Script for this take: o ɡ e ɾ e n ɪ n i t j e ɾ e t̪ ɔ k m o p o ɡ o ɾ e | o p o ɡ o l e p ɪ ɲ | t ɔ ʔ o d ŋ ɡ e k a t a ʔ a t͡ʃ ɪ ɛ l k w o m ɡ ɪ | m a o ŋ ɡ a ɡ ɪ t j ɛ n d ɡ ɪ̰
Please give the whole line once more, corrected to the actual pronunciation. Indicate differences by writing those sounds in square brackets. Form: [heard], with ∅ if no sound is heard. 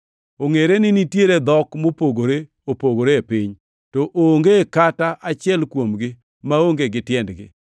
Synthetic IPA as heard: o [ŋ] e ɾ e n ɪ n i t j e ɾ e [d̪] ɔ k m o p o ɡ o ɾ e | o p o ɡ o [ɾ] e p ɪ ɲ | t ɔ ʔ o [∅] ŋ ɡ e k a t a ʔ a t͡ʃ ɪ ɛ l k w o m ɡ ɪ | m a o ŋ ɡ [e] ɡ ɪ t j ɛ n d ɡ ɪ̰